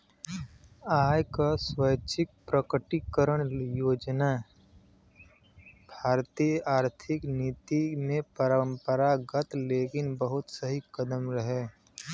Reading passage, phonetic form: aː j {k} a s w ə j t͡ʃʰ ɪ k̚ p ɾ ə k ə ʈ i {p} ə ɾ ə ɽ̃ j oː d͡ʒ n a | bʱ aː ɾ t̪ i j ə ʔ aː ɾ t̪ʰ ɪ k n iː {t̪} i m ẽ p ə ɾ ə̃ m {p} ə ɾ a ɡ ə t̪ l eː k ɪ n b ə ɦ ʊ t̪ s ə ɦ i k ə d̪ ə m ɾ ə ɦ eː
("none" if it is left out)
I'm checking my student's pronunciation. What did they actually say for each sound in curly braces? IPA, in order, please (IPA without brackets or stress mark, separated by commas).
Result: k, k, t̪, p